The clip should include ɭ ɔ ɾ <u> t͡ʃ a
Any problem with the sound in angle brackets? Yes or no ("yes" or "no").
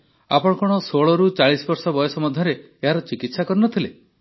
no